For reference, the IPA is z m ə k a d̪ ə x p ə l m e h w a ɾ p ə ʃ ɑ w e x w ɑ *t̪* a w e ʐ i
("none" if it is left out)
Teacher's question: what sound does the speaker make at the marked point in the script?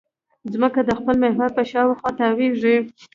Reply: t̪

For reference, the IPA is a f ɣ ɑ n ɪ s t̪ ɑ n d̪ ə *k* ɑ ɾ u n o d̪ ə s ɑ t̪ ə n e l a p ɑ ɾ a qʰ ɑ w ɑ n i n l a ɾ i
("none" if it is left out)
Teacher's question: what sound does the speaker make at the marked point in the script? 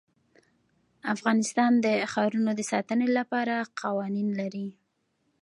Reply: x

